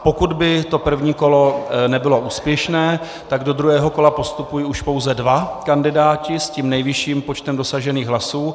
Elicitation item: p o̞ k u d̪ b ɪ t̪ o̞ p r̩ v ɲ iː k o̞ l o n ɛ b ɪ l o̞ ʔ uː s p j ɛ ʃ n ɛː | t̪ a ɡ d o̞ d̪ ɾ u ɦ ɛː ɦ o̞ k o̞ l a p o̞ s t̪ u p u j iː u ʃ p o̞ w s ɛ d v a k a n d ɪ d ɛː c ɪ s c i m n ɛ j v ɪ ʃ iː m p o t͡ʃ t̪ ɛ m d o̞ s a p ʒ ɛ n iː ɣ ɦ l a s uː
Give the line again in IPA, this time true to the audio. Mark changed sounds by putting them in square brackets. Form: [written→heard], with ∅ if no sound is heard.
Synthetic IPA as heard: p o̞ k u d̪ b ɪ t̪ o̞ p r̩ v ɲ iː k o̞ l o n ɛ b ɪ l o̞ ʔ uː s p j ɛ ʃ n ɛː | t̪ a ɡ d o̞ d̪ ɾ u ɦ ɛː ɦ o̞ k o̞ l a p o̞ s t̪ u p u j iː u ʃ p o̞ w [s→z] ɛ d v a k a n d ɪ d [ɛː→aː] c ɪ s c i m n ɛ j v ɪ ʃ iː m p o t͡ʃ t̪ ɛ m d o̞ s a [p→∅] ʒ ɛ n iː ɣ ɦ l a s uː